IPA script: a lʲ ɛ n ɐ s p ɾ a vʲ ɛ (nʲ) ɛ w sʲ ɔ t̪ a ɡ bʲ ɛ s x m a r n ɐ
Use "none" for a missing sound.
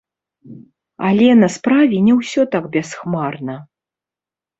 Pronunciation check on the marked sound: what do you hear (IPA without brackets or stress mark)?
nʲ